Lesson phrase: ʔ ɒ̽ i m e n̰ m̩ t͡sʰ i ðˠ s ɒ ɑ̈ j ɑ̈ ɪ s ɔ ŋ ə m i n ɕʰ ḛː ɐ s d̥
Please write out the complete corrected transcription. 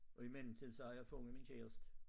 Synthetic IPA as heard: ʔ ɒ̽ i m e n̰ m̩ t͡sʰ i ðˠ s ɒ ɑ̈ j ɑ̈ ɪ f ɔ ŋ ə m i n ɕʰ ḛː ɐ s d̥